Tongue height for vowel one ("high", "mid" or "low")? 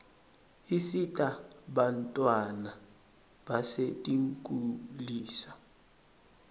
high